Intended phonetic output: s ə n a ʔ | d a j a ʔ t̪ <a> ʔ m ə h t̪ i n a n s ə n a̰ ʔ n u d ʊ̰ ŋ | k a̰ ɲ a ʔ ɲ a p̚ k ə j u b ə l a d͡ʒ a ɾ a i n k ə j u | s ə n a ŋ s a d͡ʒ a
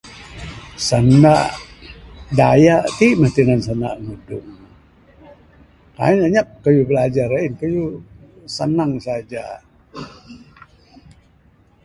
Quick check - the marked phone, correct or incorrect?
incorrect